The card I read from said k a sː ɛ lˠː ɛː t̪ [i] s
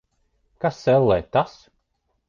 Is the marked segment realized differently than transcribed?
yes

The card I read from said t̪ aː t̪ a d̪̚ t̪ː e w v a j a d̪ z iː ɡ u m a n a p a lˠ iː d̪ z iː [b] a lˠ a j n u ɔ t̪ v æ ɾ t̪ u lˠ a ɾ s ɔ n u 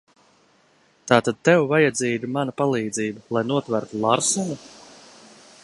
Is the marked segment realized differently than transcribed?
no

